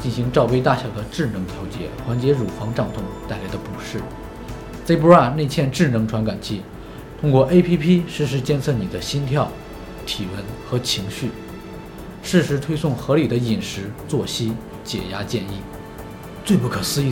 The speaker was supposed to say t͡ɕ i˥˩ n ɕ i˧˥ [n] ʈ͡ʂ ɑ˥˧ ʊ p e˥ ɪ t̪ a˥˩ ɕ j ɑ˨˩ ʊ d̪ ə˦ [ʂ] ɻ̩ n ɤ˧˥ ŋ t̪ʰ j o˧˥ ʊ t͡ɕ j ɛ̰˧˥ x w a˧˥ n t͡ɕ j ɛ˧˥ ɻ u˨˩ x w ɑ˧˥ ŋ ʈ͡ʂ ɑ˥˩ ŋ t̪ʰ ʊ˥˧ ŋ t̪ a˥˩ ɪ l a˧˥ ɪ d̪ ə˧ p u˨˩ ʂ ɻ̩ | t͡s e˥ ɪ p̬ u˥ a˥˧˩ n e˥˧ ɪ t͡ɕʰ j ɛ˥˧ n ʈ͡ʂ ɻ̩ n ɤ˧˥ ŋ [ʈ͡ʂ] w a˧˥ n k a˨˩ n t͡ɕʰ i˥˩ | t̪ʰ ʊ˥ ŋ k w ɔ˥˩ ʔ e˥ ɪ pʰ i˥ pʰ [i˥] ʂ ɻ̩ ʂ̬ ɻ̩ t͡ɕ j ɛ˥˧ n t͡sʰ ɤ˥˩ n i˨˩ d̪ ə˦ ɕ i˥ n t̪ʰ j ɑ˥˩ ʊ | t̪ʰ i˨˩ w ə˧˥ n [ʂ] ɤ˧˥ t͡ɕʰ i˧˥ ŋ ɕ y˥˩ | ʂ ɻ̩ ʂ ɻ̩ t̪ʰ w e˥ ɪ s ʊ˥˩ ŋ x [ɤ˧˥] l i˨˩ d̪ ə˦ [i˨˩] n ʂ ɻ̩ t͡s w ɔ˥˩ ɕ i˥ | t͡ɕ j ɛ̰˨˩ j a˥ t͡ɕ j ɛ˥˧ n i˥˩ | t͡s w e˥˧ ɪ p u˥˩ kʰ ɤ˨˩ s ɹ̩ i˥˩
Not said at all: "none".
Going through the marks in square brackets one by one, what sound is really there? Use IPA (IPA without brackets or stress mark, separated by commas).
ŋ, ʈ͡ʂ, ʈ͡ʂʰ, i˥, x, ɤ˧˥, i˨˩